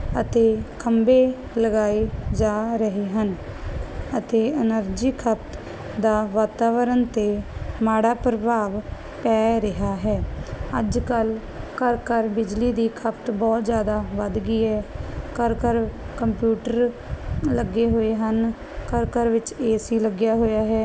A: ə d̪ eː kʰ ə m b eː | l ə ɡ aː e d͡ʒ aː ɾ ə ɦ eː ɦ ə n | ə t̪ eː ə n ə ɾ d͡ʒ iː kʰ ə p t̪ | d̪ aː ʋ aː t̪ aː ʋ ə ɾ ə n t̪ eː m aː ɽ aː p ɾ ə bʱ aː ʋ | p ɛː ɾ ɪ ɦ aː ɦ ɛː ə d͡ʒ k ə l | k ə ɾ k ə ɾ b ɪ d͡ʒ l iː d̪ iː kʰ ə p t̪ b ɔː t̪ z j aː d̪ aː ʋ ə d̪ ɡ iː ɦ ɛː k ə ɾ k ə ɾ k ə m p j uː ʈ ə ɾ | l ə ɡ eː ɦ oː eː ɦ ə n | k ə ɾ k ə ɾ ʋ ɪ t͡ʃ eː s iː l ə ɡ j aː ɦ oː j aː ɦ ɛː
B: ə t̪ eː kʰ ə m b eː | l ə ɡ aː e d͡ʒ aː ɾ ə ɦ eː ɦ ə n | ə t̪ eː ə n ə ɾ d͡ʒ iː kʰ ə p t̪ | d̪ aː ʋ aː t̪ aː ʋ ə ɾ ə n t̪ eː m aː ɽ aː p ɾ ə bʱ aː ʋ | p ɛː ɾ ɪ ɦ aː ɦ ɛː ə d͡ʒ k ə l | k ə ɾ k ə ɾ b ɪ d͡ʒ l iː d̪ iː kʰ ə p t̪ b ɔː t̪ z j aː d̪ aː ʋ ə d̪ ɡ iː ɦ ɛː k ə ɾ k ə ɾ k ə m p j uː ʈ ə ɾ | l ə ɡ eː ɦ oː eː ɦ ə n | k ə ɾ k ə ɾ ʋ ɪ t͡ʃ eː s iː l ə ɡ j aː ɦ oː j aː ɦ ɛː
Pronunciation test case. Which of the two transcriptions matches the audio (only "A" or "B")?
B